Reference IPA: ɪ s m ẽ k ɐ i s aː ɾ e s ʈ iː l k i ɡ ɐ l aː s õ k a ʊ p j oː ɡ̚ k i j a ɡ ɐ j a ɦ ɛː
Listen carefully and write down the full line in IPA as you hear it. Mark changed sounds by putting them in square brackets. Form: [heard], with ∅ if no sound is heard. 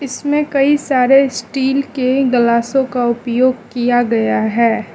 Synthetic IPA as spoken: ɪ s m ẽ k ɐ i s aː ɾ e s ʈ iː l k [e] ɡ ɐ l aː s õ k a ʊ p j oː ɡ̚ k i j a ɡ ɐ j a ɦ ɛː